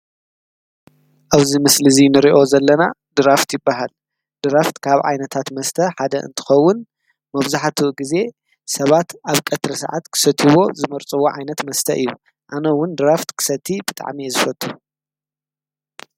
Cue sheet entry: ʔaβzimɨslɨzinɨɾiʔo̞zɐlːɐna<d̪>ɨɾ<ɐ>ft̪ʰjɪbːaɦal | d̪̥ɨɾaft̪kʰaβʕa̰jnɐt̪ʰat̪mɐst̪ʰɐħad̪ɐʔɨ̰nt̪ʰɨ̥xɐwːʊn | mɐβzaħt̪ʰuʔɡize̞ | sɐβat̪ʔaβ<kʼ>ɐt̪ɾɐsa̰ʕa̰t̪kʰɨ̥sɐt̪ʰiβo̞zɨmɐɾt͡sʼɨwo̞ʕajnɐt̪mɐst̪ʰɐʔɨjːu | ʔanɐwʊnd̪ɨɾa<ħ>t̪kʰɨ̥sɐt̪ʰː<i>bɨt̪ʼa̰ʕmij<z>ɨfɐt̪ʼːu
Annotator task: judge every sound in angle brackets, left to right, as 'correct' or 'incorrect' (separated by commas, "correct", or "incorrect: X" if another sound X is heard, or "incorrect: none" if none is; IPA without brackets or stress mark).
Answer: correct, incorrect: a, correct, incorrect: f, correct, correct